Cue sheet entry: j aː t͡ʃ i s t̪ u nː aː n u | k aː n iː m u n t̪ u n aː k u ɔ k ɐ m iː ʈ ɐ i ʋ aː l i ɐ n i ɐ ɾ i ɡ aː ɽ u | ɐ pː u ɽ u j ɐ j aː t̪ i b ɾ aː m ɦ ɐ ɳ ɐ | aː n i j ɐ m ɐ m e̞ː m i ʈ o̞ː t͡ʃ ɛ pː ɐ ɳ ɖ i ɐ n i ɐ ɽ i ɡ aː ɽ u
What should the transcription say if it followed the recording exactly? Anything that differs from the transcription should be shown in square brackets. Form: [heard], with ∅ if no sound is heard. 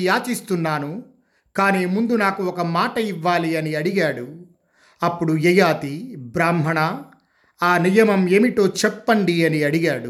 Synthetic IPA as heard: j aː t͡ʃ i s t̪ u nː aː n u | k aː n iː m u n [d̪] u n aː k u ɔ k ɐ m [aː] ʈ ɐ i [ʋː] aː l i ɐ n i ɐ [ɽ] i ɡ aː ɽ u | ɐ pː u ɽ u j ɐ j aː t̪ i b ɾ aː m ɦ ɐ ɳ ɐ | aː n i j ɐ m ɐ m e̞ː m i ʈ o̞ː t͡ʃ ɛ pː ɐ ɳ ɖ i ɐ n i ɐ ɽ i ɡ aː ɽ u